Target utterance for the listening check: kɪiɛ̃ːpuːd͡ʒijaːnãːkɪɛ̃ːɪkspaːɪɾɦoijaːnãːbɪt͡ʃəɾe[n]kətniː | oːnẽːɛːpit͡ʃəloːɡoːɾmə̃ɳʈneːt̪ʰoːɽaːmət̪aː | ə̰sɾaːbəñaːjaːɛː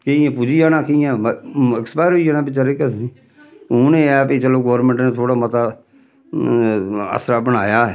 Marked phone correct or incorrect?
incorrect: none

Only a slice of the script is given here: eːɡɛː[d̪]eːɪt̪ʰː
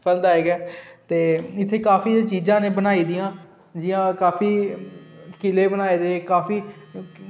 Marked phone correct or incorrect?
incorrect: t̪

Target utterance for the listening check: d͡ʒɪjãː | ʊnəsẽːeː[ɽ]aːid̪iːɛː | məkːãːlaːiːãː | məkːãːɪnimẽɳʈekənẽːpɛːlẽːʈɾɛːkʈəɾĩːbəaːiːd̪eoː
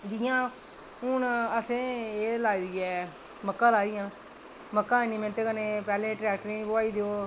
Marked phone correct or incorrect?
incorrect: l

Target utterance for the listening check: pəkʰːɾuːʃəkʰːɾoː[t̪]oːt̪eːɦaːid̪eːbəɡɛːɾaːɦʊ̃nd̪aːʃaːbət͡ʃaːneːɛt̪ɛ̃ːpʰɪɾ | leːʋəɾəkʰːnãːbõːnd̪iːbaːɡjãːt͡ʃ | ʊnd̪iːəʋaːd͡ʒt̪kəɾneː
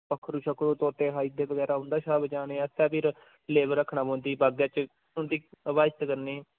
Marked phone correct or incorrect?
correct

